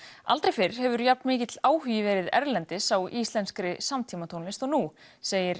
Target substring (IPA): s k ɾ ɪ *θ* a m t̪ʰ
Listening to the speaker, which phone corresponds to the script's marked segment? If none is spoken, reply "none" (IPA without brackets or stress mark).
s